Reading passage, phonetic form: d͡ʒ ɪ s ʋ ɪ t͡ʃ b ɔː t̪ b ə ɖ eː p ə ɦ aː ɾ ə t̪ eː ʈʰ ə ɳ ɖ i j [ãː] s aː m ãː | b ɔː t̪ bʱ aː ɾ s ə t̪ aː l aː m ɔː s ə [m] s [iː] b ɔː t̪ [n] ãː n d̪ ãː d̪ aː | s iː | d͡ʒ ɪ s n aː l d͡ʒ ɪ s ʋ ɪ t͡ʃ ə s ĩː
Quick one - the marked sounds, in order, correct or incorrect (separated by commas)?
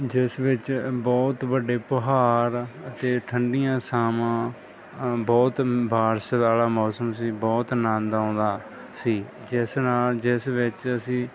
correct, correct, correct, correct